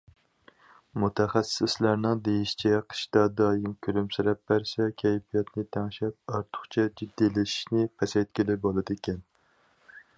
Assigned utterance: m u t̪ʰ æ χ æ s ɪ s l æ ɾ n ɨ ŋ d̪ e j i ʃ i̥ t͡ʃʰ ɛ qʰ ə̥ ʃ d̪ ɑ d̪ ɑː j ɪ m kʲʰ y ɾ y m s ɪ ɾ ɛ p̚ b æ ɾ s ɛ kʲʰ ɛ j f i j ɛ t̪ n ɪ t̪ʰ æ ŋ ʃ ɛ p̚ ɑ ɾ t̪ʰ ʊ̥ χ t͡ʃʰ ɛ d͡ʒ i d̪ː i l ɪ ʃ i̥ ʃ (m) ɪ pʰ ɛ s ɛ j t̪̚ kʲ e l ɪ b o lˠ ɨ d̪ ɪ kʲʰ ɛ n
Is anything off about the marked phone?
yes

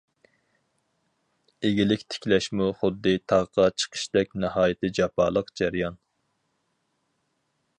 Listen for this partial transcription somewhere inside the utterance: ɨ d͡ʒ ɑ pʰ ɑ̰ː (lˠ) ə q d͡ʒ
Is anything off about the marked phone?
no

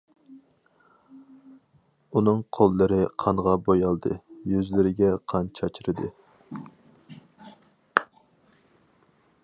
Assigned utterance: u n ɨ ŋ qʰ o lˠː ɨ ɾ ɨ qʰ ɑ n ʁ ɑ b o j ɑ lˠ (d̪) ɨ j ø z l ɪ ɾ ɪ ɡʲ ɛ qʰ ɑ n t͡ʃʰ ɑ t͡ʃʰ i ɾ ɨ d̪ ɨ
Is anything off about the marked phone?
no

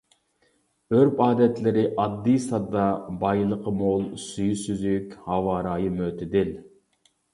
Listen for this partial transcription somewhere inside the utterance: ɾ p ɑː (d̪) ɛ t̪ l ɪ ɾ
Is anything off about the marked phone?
no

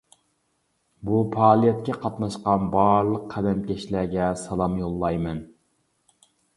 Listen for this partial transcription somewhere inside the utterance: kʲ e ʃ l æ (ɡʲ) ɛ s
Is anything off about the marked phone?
no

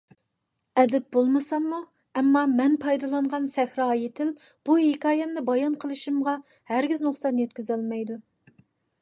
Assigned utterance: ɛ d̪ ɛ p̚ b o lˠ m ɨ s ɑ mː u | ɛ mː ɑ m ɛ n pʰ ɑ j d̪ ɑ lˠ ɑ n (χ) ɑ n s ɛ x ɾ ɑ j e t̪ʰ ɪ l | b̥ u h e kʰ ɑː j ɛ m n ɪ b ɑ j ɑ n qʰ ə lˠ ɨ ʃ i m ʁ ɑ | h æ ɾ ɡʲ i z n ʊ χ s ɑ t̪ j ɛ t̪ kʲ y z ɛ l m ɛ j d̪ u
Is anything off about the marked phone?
yes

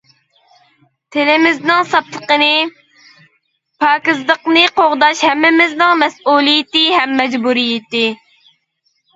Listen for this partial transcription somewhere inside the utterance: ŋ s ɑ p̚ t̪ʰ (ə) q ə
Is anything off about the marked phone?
no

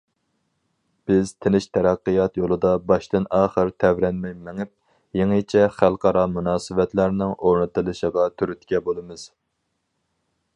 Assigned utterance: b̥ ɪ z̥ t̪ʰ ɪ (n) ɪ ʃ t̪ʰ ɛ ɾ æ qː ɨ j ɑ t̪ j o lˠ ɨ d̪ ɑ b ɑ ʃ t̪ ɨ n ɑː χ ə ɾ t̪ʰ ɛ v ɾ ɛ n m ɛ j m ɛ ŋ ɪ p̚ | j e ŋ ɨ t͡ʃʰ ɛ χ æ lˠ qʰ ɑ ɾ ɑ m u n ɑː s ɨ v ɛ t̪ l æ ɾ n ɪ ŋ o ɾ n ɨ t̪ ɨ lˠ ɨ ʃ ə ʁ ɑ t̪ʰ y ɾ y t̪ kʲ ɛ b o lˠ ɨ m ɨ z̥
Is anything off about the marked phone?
no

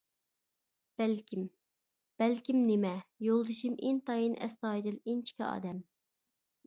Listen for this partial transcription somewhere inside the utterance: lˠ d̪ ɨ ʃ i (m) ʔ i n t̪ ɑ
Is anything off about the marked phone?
no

